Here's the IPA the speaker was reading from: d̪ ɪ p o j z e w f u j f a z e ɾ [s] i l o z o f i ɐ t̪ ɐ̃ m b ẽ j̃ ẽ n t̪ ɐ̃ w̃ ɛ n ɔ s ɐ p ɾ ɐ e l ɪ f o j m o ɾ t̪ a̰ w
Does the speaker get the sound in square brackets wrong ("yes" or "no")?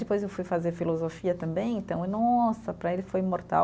yes